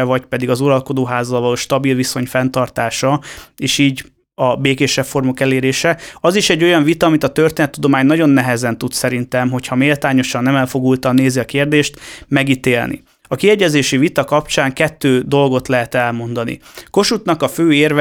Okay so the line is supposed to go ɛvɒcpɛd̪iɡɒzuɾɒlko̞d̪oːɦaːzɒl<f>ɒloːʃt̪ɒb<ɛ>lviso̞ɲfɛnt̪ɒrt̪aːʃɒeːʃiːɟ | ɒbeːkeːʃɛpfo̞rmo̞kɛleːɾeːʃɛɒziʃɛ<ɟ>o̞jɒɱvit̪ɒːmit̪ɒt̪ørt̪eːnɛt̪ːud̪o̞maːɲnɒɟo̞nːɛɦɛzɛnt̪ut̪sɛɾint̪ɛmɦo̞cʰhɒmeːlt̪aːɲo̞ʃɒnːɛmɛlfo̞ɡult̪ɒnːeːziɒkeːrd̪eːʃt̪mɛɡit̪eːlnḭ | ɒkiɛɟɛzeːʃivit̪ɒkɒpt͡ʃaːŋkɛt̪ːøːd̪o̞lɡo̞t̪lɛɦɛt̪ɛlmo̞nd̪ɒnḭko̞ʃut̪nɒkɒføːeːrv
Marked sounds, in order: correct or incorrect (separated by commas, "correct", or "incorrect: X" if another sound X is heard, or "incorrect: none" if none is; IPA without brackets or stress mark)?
incorrect: v, incorrect: i, incorrect: ɟː